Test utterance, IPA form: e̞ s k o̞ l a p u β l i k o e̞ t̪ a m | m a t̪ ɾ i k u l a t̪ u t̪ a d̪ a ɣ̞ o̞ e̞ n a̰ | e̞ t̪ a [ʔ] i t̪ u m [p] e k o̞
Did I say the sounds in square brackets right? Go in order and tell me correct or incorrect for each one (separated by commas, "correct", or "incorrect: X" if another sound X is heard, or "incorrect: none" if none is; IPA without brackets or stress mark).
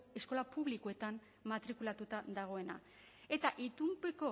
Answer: correct, correct